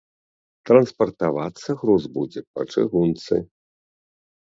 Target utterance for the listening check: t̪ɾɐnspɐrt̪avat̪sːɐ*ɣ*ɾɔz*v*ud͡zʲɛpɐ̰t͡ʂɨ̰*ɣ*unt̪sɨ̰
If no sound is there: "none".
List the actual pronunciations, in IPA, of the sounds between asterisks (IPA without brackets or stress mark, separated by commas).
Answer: ɣ, b, ɣ